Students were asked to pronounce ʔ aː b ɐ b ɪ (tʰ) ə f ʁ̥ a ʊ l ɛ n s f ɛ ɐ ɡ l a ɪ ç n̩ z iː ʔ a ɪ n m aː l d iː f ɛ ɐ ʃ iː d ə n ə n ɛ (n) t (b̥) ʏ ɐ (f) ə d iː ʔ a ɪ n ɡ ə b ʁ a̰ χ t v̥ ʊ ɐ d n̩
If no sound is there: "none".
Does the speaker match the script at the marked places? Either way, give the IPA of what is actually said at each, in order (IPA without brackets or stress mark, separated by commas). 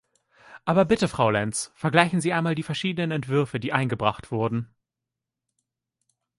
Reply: t, n, v̥, f